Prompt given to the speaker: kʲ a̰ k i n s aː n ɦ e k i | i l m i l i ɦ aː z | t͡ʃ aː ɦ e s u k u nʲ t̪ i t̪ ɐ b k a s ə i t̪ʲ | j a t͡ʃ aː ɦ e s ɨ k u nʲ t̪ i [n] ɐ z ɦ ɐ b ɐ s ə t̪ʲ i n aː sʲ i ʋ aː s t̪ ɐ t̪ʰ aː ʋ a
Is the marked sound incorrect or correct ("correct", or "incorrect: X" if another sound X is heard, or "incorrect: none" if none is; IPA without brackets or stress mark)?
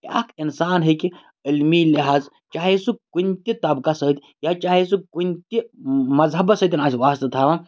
incorrect: m